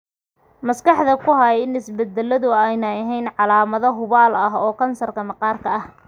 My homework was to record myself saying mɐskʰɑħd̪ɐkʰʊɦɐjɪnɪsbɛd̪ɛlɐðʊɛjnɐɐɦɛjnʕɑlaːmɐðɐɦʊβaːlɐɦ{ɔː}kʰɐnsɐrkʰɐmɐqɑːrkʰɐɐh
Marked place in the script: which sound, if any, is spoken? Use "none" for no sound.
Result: ɔː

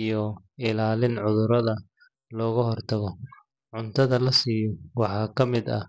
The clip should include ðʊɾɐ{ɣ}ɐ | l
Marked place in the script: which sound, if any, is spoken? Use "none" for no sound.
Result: ð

